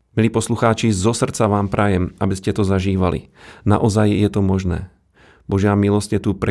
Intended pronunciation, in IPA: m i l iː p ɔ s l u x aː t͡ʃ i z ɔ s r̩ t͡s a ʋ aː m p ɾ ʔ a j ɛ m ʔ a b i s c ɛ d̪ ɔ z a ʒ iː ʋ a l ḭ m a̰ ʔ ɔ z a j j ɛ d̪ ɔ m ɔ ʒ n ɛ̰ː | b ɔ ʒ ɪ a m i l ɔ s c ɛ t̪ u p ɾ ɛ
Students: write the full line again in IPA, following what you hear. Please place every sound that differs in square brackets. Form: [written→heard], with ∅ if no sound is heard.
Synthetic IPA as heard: m i l iː p ɔ s l u x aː t͡ʃ i z ɔ s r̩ t͡s a ʋ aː m p ɾ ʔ a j ɛ m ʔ a b i s c ɛ [d̪→t̪] ɔ z a ʒ iː ʋ a l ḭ [m→n] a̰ ʔ ɔ z a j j ɛ [d̪→t̪] ɔ m ɔ ʒ n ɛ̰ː | b ɔ ʒ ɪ a m i l ɔ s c ɛ t̪ u p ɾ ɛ